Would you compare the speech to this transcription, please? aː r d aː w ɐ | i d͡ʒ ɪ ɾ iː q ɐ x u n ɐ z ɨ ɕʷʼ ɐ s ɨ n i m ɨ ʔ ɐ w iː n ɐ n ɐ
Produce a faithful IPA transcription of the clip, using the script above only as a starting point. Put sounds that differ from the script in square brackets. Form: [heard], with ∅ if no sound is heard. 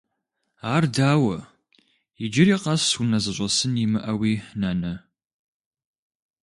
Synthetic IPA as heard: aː r d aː w ɐ | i d͡ʒ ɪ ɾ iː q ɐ [s] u n ɐ z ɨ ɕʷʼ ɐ s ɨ n i m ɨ ʔ ɐ w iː n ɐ n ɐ

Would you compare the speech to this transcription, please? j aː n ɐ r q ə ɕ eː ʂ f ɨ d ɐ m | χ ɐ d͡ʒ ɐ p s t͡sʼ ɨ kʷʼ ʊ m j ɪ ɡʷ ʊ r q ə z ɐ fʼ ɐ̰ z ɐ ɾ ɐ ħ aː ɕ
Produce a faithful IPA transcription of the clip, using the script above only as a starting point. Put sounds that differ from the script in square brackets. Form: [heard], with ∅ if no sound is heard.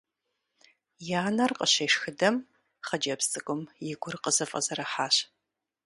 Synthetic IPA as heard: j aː n ɐ r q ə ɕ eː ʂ [x] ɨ d ɐ m | χ ɐ d͡ʒ ɐ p s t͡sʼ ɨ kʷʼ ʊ m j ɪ ɡʷ ʊ r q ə z ɐ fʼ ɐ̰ z ɐ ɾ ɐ ħ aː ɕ

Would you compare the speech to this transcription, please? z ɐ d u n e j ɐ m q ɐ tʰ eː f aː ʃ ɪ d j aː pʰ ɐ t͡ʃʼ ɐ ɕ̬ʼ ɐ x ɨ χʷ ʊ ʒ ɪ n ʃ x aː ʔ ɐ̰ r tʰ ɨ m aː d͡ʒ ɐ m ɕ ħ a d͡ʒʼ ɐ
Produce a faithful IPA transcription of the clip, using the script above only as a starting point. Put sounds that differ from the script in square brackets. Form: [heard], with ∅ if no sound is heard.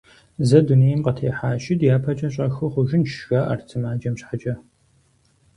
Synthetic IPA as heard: z ɐ d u n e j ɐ m q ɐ tʰ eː [ħ] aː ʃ ɪ d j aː pʰ ɐ t͡ʃʼ ɐ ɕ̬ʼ ɐ x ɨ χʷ ʊ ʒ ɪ n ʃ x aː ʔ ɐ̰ r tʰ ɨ m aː d͡ʒ ɐ m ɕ ħ a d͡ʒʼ ɐ

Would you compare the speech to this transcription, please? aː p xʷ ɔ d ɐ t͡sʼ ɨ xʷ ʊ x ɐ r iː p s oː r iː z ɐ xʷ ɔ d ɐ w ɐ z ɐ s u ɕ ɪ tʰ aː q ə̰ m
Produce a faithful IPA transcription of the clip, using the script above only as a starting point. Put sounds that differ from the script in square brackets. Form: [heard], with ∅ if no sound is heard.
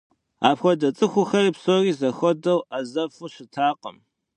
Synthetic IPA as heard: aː p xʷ ɔ d ɐ t͡sʼ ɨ xʷ ʊ x ɐ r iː p s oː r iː z ɐ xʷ ɔ d ɐ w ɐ z ɐ [f] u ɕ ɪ tʰ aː q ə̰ m

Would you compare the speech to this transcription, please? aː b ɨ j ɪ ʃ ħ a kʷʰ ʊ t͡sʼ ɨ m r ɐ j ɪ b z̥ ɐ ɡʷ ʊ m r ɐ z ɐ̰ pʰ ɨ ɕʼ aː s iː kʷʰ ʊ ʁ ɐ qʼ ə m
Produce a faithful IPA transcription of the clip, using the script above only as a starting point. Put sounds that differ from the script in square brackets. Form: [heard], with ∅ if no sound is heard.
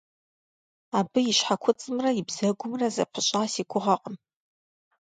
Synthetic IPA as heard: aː b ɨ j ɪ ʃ ħ a kʷʰ ʊ t͡sʼ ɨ m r ɐ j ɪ b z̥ ɐ ɡʷ ʊ m r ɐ z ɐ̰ pʰ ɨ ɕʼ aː s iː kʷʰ ʊ ʁ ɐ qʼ ə m

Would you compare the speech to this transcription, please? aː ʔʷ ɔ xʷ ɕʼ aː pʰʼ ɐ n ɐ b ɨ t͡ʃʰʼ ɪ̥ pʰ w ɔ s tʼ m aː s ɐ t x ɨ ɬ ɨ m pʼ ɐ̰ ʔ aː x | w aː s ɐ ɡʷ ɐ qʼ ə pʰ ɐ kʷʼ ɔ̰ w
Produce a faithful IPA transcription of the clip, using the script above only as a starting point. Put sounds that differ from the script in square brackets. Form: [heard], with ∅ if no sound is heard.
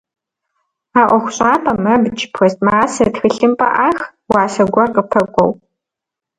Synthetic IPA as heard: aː ʔʷ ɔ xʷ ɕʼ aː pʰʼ ɐ [m] ɐ b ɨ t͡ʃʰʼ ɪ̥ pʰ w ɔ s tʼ m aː s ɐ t x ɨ ɬ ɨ m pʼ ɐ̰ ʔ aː x | w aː s ɐ ɡʷ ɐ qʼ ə pʰ ɐ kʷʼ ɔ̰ w

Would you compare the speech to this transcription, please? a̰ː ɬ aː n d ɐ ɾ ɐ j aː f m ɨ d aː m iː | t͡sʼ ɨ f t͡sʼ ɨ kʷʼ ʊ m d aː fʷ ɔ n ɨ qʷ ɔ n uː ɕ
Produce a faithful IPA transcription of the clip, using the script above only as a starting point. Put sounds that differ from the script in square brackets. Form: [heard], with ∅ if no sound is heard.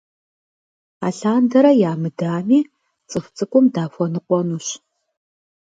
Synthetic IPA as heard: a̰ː ɬ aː n d ɐ ɾ ɐ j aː [∅] m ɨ d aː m iː | t͡sʼ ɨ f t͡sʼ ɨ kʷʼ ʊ m d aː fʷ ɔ n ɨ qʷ ɔ n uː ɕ

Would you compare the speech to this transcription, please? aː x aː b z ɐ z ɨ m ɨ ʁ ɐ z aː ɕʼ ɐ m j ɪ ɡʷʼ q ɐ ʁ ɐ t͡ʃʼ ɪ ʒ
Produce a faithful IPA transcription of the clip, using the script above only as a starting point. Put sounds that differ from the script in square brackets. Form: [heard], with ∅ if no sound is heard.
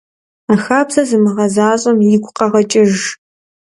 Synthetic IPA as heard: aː x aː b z ɐ z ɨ m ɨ ʁ ɐ z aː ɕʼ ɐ m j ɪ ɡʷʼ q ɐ ʁ ɐ t͡ʃʼ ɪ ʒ

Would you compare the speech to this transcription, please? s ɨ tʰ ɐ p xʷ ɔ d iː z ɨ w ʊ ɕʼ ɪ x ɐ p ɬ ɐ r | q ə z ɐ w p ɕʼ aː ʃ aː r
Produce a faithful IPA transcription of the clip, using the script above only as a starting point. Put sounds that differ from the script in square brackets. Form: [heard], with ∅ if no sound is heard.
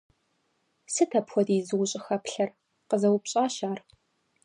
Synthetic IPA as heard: s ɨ tʰ ɐ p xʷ ɔ d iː z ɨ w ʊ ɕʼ ɪ x ɐ p ɬ ɐ r | q ə z ɐ w p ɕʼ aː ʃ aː r

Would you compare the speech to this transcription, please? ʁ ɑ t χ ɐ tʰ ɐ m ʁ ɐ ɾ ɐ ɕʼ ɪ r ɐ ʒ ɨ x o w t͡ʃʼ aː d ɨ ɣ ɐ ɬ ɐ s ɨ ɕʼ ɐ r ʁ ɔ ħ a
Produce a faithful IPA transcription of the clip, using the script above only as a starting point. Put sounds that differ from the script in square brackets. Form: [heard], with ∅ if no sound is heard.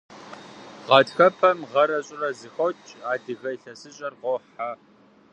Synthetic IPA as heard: ʁ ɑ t [x] ɐ [pʰ] ɐ m ʁ ɐ ɾ ɐ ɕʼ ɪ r ɐ [z] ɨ x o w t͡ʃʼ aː d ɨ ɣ ɐ ɬ ɐ s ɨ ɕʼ ɐ r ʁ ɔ ħ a

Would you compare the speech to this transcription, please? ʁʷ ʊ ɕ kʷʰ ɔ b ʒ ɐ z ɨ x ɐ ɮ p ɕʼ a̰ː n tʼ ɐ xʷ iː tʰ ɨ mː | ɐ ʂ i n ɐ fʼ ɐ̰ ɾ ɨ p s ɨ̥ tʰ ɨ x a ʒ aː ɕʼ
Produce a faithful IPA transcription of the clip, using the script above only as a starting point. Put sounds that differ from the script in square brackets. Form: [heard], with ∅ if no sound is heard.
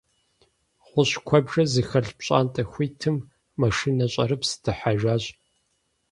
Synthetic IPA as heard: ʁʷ ʊ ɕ kʷʰ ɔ b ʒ ɐ z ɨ x ɐ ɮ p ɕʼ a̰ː n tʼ ɐ xʷ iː tʰ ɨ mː | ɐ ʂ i n ɐ [ɕʼ] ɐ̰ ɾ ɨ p s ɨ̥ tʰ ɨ [ħ] a ʒ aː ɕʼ

